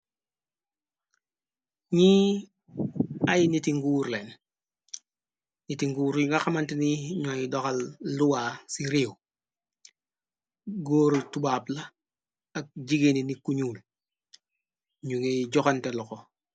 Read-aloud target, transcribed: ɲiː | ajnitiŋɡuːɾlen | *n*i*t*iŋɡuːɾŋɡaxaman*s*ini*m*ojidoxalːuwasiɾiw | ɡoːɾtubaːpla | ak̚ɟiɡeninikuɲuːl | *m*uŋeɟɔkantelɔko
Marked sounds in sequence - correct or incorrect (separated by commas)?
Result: correct, correct, incorrect, incorrect, incorrect